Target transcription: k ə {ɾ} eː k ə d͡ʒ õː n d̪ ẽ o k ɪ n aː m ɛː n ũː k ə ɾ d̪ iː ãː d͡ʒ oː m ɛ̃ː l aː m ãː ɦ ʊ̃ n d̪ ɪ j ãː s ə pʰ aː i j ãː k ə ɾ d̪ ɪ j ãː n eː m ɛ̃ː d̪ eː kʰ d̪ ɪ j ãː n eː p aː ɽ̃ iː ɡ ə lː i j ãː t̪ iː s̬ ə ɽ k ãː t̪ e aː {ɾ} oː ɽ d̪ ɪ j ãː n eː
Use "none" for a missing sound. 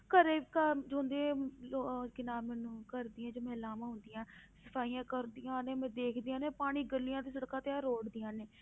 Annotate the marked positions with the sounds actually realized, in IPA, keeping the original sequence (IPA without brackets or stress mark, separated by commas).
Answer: ɾ, ɾ